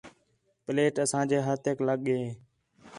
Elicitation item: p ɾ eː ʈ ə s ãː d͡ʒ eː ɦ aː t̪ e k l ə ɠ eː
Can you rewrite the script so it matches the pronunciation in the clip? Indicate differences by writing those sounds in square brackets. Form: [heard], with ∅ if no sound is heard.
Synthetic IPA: p [l] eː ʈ ə s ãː d͡ʒ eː ɦ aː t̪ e k l ə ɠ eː